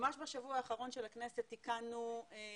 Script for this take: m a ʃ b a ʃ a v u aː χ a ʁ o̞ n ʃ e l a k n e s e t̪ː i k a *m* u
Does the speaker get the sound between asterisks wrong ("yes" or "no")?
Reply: yes